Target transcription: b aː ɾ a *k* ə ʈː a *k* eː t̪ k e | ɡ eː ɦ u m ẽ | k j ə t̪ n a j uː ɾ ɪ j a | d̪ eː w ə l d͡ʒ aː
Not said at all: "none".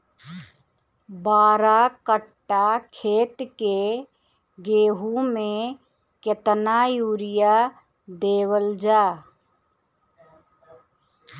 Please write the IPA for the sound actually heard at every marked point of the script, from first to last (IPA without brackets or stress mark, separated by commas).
k, kʰ